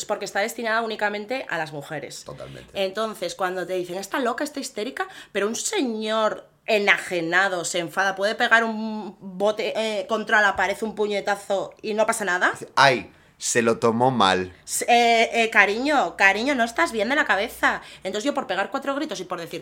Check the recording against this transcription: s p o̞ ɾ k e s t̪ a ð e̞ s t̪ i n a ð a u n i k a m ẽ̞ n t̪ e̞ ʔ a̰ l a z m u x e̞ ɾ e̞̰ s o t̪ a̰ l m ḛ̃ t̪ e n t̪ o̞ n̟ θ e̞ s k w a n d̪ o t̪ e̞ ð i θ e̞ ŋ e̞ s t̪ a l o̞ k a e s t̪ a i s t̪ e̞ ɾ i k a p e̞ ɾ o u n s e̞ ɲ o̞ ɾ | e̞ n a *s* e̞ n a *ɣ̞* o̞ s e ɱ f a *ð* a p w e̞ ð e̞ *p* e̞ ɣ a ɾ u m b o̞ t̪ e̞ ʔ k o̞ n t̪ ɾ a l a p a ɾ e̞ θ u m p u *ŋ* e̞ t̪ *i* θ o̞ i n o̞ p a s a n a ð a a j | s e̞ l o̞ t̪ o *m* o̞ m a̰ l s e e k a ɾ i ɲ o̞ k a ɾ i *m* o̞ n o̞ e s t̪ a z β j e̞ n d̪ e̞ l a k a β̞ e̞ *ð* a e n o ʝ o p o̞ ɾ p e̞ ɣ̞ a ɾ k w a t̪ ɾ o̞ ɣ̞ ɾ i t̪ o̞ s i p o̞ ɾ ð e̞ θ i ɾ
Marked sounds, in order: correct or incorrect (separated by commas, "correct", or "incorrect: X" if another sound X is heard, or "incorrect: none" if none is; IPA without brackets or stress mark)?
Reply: incorrect: x, incorrect: ð̞, correct, correct, incorrect: ɲ, incorrect: a, correct, incorrect: ɲ, incorrect: θ